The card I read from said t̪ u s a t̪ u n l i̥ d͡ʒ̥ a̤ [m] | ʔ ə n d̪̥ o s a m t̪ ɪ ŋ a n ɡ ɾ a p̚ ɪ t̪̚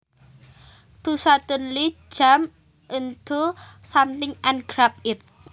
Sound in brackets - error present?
no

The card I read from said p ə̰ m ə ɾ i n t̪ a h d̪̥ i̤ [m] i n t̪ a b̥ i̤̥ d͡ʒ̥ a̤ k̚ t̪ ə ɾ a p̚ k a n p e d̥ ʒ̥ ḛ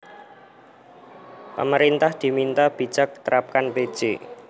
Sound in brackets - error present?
no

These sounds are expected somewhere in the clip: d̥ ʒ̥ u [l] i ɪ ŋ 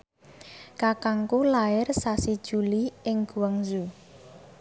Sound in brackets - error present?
no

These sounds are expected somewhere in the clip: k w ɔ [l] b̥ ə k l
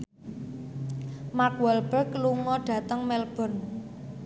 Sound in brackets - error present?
no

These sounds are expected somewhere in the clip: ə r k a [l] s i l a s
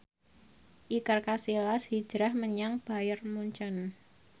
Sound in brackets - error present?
yes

